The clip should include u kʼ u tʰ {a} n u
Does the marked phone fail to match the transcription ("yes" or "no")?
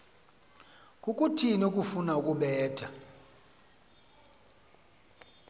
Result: yes